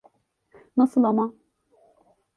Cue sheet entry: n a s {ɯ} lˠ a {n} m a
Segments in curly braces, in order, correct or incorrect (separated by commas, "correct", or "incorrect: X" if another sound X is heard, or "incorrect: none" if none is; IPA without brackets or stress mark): correct, incorrect: none